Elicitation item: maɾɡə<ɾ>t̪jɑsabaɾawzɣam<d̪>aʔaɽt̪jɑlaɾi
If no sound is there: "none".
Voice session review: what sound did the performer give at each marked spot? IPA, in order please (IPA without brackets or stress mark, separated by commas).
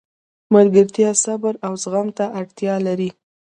ɾ, t̪